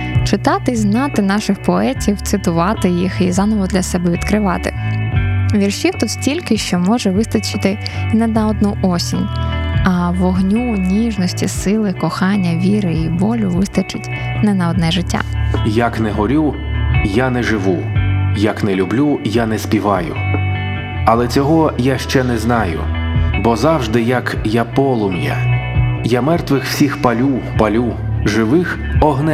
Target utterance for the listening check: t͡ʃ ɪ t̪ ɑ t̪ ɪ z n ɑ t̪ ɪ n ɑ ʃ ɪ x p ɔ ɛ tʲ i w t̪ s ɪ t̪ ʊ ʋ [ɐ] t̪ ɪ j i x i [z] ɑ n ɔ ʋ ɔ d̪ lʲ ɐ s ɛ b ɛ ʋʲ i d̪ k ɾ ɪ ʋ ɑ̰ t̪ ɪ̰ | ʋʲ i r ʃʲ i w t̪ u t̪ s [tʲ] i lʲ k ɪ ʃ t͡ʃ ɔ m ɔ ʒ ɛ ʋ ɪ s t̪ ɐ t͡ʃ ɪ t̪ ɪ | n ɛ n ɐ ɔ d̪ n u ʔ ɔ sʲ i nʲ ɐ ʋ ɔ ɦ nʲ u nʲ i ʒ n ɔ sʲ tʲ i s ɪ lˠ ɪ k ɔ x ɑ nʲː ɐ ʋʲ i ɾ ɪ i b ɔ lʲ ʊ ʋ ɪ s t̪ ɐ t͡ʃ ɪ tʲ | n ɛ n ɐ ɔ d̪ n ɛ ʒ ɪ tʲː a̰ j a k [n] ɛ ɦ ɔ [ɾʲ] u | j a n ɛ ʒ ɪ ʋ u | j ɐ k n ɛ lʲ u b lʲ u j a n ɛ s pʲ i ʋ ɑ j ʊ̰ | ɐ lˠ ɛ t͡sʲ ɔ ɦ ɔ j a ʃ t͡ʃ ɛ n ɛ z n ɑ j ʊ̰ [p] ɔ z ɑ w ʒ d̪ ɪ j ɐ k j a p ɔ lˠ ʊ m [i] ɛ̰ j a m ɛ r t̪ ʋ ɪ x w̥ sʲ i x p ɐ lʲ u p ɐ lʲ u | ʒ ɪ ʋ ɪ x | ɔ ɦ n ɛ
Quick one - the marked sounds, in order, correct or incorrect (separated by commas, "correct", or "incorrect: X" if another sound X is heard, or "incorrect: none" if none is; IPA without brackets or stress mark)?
incorrect: ɑ, correct, correct, correct, correct, incorrect: b, incorrect: j